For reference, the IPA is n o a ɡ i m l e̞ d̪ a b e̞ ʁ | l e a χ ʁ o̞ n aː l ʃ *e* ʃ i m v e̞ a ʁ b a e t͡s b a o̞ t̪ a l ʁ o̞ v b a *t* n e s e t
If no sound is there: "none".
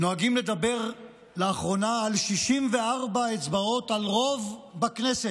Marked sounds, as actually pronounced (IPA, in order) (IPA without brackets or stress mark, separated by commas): i, k